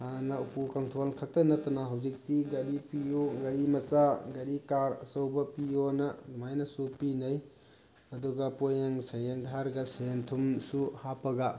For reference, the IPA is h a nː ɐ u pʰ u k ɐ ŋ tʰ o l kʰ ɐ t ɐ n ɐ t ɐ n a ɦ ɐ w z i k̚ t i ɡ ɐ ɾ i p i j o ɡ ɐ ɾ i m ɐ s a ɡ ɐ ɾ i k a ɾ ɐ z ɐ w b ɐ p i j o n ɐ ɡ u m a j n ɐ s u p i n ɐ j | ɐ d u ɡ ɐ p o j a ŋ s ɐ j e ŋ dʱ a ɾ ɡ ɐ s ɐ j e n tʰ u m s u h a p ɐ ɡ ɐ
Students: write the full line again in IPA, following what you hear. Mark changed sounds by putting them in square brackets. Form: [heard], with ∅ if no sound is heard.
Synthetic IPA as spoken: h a [n] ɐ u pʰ u k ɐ ŋ tʰ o l kʰ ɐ t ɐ n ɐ t ɐ n a ɦ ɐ w z i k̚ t i ɡ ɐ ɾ i p i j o ɡ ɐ ɾ i m ɐ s a ɡ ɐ ɾ i k a ɾ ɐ [s] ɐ w b ɐ p i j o n ɐ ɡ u m a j n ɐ s u p i n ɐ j | ɐ d u ɡ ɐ p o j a ŋ s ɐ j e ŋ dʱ a ɾ ɡ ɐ s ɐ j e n tʰ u m s u h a p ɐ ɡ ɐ